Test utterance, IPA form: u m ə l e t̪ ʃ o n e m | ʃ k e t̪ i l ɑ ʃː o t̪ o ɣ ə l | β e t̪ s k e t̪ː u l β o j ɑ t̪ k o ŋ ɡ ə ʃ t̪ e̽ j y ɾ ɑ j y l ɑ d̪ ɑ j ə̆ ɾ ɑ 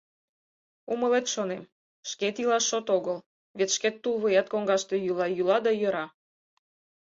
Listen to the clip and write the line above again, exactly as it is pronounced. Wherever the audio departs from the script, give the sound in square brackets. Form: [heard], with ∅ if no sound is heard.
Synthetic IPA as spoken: u m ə l e t̪ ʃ o n e m | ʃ k e t̪ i l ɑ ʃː o t̪ o ɣ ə l | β e t̪ [ʃ] k e t̪ː u l β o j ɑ t̪ k o ŋ ɡ [ɑ] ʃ t̪ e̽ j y [l] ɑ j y l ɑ d̪ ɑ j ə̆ ɾ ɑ

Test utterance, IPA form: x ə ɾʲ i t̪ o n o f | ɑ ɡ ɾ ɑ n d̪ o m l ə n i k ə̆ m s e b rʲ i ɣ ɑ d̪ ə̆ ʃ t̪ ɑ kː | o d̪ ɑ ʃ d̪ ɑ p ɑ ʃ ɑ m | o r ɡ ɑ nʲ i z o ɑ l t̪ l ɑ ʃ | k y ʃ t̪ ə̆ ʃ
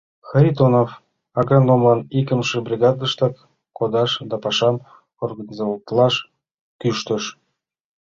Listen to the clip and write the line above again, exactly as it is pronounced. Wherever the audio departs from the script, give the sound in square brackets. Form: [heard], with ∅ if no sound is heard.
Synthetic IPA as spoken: x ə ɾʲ i t̪ o n o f | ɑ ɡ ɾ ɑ n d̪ o m l [ɑ] n i k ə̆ m [ʃ] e b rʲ i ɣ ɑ d̪ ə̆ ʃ t̪ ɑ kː | o d̪ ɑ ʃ d̪ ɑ p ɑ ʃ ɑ m | o r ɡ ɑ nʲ i z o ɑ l t̪ l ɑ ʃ | k y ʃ t̪ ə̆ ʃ

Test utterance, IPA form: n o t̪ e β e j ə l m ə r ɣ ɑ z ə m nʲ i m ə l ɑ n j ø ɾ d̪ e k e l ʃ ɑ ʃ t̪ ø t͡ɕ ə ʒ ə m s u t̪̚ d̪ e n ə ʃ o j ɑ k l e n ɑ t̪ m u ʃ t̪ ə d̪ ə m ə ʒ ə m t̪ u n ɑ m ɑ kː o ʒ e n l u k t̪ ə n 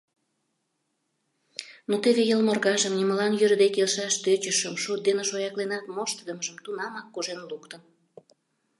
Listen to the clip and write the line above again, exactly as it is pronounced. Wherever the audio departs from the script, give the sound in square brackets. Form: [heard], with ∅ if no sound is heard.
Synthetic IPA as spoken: n o t̪ e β e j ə l m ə r ɣ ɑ [ʒ] ə m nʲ i m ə l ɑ n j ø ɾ d̪ e k e l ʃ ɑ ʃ t̪ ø t͡ɕ ə [ʃ] ə m [ʃ] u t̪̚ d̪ e n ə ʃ o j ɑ k l e n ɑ t̪ m [o] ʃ t̪ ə d̪ ə m ə ʒ ə m t̪ u n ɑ m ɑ kː o ʒ e n l u k t̪ ə n

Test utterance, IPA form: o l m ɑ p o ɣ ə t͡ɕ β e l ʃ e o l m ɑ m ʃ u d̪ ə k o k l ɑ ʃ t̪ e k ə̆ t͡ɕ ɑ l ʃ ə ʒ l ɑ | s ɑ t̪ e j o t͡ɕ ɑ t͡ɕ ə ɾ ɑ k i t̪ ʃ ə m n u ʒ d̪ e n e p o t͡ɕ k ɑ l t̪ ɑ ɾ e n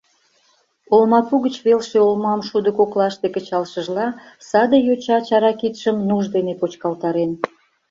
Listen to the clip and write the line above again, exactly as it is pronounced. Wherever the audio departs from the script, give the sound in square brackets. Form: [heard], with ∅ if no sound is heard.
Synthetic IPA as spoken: o l m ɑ p [u] ɣ ə t͡ɕ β e l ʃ e o l m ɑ m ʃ u d̪ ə k o k l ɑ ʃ t̪ e k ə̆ t͡ɕ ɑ l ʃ ə ʒ l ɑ | s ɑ [d̪] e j o t͡ɕ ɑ t͡ɕ [ɑ] ɾ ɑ k i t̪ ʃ ə m n u ʒ d̪ e n e p o t͡ɕ k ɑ l t̪ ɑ ɾ e n

